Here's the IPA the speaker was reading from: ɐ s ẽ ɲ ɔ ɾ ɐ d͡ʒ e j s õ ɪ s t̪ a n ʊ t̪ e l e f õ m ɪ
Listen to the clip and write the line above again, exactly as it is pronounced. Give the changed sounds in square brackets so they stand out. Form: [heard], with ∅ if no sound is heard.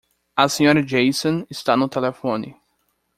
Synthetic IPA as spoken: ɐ s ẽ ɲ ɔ ɾ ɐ d͡ʒ e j s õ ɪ s t̪ a n ʊ t̪ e l e f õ [n] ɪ